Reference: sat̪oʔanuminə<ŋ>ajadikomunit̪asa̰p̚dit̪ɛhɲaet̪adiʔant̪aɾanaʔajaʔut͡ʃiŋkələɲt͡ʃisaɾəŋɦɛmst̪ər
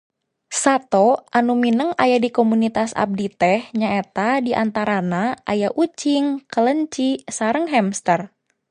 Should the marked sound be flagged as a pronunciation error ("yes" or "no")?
no